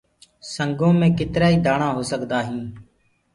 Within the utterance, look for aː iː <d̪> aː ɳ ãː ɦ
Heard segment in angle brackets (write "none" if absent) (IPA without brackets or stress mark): d̪